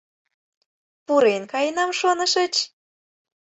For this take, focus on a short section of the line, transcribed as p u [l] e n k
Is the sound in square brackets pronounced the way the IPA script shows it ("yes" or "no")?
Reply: no